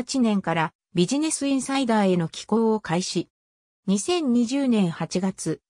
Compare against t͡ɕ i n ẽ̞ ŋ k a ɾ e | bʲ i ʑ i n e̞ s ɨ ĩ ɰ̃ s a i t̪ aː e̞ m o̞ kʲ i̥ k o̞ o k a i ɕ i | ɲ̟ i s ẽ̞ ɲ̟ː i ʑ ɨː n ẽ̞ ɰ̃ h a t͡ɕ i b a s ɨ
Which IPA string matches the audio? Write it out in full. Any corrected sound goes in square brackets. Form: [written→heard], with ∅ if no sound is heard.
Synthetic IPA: t͡ɕ i n ẽ̞ ŋ k a ɾ [e→a] | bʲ i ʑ i n e̞ s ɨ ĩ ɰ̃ s a i [t̪→d̪] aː e̞ [m→n] o̞ kʲ i̥ k o̞ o k a i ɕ i | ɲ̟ i s ẽ̞ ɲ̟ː i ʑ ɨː n ẽ̞ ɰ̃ h a t͡ɕ i [b→ɡ] a [s→t͡s] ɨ